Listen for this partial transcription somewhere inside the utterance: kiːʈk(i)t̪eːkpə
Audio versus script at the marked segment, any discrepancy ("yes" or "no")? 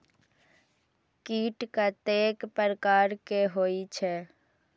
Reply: yes